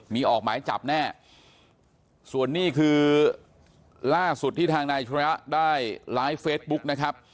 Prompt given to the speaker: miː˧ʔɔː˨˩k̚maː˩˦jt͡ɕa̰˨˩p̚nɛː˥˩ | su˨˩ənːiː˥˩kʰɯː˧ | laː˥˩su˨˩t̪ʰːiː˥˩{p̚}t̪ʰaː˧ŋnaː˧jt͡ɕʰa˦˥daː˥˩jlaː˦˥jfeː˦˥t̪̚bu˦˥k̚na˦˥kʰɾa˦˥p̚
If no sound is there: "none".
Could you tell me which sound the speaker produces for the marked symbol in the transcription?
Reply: none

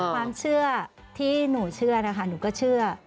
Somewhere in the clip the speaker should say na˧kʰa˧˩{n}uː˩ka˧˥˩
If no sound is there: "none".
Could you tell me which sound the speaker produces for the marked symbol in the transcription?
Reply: n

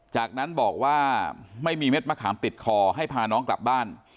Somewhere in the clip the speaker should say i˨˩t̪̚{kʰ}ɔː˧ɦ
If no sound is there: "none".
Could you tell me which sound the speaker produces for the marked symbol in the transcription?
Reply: kʰ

